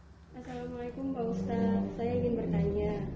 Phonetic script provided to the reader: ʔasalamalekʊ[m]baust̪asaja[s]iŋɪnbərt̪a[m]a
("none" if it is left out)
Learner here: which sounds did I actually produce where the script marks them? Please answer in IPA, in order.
m, none, ɲ

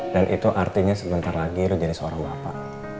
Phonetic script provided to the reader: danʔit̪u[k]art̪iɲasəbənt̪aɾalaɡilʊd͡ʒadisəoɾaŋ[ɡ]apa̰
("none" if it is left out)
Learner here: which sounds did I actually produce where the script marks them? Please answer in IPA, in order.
ʔ, b

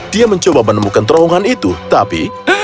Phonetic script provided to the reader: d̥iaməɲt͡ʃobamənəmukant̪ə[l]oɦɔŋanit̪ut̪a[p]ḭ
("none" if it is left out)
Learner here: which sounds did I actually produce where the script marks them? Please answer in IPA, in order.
ɾ, p

